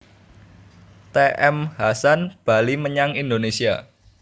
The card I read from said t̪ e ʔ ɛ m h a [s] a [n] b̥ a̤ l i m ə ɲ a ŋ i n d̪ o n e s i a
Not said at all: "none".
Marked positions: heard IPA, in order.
s, n

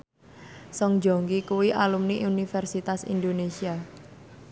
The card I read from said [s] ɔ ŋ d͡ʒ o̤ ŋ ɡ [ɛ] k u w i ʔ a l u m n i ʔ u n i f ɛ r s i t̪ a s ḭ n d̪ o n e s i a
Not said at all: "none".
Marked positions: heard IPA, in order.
s, i

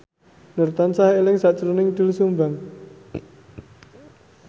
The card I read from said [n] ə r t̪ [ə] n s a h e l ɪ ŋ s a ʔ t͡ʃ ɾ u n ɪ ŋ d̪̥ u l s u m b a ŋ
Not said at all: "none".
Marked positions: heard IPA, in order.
n, a

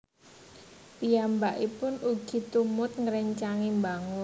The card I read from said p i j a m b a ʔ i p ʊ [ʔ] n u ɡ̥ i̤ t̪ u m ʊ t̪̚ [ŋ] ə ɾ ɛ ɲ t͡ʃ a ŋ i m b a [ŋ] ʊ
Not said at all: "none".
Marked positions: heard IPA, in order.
none, ŋ, ŋ

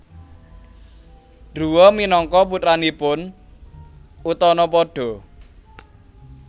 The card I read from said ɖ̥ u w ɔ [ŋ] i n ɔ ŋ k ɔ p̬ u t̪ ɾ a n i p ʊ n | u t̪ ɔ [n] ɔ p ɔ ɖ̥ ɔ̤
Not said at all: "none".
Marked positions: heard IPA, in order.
m, n

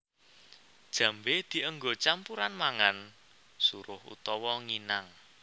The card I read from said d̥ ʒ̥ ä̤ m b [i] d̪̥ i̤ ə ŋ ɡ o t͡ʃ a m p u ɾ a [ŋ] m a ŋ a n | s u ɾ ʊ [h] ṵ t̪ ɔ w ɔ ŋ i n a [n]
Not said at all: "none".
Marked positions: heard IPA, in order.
e, n, h, ŋ

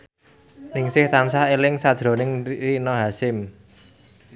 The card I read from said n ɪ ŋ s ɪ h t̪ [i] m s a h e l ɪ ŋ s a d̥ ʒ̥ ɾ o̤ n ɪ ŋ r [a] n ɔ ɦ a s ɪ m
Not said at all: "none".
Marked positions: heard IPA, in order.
a, i

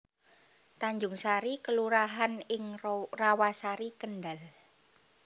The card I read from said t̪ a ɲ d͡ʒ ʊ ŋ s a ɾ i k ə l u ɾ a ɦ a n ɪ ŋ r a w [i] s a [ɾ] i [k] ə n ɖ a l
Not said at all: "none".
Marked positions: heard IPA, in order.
a, ɾ, k

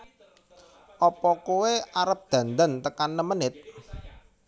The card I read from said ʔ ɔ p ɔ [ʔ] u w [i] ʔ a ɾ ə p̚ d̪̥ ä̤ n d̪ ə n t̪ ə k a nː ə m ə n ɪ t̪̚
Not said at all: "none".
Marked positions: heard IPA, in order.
k, e

